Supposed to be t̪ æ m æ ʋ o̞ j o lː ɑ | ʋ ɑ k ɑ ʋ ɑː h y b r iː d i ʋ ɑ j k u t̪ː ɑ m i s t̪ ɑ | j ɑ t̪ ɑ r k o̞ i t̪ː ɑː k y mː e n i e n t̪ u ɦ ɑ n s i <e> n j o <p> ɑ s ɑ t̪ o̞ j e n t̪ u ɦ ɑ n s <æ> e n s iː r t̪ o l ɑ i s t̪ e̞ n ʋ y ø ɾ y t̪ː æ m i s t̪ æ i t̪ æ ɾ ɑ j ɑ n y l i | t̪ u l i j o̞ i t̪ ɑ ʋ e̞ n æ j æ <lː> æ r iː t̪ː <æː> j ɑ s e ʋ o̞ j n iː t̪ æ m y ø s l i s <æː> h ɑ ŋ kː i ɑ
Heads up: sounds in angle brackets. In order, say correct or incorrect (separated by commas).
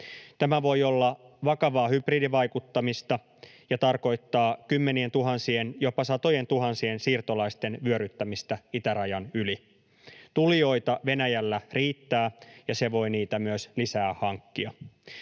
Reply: correct, correct, incorrect, correct, correct, correct